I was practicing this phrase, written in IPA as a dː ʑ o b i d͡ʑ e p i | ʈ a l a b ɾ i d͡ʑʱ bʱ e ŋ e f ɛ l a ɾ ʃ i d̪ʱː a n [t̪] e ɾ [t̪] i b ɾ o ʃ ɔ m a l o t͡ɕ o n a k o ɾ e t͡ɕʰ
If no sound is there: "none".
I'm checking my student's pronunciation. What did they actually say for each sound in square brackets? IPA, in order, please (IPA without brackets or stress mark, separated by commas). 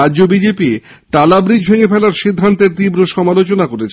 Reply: t̪, t̪